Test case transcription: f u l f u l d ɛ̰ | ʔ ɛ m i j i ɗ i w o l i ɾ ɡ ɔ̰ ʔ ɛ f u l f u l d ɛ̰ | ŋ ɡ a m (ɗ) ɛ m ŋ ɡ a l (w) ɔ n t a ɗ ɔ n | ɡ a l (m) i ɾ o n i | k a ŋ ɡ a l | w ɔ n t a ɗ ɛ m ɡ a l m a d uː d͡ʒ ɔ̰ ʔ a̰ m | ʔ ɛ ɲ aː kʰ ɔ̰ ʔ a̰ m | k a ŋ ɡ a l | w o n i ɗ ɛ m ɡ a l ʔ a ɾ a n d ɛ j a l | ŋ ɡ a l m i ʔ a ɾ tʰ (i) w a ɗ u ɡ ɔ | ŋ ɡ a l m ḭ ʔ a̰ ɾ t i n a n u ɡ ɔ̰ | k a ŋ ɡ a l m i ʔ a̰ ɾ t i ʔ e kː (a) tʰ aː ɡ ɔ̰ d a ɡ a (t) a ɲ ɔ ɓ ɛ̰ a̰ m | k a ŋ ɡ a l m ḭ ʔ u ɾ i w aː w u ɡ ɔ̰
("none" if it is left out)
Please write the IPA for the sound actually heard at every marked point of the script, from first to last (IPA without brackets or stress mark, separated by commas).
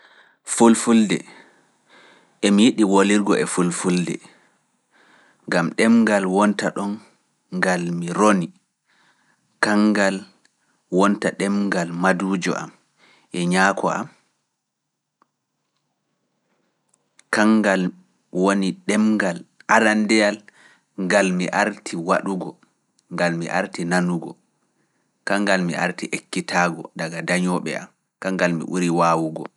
ɗ, w, m, i, i, d